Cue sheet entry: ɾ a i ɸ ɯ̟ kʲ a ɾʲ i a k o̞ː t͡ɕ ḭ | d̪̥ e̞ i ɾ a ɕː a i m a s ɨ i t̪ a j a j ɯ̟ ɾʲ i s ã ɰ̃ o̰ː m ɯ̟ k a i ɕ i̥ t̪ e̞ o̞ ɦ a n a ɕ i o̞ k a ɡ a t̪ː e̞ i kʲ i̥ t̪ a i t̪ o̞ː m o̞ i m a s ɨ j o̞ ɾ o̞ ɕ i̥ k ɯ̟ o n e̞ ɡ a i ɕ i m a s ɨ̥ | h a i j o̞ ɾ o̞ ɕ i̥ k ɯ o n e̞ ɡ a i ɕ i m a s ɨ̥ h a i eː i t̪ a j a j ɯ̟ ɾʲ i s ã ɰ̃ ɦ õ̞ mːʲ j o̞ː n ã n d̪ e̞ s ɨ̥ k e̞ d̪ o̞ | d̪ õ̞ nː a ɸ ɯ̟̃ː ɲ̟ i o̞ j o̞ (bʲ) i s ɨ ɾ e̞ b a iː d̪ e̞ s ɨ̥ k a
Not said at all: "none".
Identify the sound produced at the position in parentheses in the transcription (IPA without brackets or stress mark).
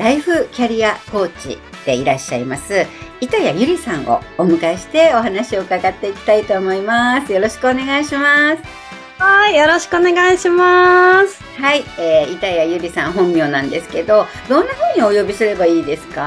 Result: bʲ